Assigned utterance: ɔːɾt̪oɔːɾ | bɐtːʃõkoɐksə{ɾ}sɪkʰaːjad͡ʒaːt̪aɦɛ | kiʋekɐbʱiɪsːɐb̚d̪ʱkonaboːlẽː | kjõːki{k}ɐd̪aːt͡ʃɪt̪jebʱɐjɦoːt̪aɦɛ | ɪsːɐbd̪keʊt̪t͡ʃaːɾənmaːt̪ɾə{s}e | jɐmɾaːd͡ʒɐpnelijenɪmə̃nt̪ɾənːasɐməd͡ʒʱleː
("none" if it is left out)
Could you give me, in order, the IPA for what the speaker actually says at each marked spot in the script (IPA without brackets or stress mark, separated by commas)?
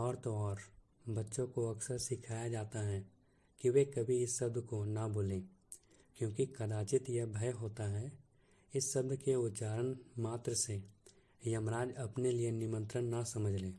ɾ, k, s